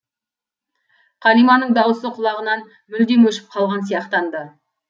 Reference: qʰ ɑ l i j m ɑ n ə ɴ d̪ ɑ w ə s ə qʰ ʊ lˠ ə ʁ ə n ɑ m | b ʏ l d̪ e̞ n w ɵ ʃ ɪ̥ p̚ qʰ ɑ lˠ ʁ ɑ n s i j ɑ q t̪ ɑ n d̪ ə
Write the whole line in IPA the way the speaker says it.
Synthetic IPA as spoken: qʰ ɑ l i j m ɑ n ə ɴ d̪ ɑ w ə s ə qʰ ʊ lˠ ɑ ʁ ə n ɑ n | m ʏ l d̪ e̞ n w ɵ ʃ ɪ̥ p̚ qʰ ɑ lˠ ʁ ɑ n s i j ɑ q t̪ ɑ n d̪ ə